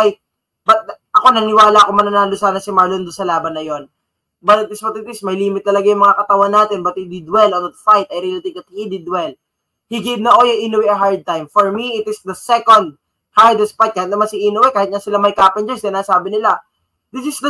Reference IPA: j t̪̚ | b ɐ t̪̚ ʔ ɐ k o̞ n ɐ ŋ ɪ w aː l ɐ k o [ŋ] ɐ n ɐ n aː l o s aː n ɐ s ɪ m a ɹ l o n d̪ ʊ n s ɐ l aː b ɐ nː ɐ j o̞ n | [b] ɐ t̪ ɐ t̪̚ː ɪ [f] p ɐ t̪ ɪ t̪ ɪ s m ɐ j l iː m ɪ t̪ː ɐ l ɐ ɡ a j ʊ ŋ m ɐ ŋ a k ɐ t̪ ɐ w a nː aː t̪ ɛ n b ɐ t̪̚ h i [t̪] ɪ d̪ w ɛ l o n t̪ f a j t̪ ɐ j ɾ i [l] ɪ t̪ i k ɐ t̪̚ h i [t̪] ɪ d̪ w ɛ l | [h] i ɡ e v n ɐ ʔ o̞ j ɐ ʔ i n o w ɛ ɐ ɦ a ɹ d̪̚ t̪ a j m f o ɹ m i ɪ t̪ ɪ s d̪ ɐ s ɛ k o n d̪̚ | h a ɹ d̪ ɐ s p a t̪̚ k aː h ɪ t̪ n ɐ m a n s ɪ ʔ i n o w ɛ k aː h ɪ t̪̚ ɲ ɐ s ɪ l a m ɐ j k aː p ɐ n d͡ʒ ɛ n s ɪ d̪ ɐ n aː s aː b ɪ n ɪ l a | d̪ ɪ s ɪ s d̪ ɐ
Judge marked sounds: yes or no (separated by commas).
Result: no, yes, no, no, yes, no, yes